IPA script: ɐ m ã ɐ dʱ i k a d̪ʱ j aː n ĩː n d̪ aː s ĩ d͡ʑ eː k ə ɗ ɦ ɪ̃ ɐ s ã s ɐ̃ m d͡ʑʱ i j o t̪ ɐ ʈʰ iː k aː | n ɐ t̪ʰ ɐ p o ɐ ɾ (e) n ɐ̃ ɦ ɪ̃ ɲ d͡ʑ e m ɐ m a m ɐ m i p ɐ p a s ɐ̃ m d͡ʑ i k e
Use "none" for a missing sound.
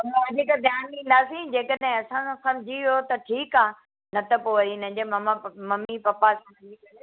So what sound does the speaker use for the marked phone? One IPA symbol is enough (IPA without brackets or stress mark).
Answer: i